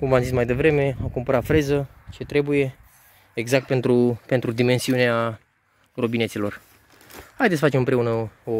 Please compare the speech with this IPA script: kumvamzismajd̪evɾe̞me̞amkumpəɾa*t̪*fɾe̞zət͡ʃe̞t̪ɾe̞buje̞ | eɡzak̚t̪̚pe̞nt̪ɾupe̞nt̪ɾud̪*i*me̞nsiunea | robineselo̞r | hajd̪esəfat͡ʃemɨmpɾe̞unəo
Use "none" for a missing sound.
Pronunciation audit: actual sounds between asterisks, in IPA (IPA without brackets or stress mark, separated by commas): t̪, i